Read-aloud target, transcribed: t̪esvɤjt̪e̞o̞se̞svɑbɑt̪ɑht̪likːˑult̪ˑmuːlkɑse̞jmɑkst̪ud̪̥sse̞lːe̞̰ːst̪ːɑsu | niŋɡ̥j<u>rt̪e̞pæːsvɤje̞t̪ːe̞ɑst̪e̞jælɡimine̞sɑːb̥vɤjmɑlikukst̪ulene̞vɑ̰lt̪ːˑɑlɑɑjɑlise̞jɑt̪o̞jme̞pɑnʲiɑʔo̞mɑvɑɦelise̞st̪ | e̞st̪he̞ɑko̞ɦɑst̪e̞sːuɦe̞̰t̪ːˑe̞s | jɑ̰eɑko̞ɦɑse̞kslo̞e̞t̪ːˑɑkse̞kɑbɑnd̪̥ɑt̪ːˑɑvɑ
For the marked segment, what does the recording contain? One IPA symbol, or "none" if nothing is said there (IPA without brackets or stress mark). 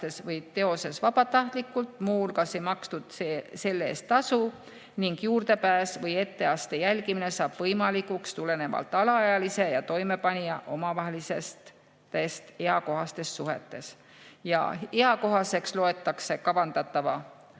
uː